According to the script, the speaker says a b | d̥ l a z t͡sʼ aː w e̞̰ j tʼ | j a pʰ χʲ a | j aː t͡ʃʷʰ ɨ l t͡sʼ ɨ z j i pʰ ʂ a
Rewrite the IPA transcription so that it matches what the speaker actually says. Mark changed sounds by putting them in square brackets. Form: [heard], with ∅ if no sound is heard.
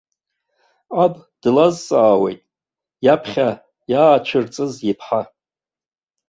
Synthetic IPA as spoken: a b | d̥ l a z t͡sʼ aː w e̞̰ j tʼ | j a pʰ χʲ a | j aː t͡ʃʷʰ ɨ [r] t͡sʼ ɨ z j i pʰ [ħ] a